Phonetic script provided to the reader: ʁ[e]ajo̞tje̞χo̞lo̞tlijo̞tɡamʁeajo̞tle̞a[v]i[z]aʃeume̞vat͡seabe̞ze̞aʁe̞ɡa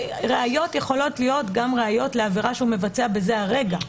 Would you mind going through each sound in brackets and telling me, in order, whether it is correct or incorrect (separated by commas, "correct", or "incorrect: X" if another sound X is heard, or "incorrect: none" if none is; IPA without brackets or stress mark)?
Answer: correct, correct, incorrect: ʁ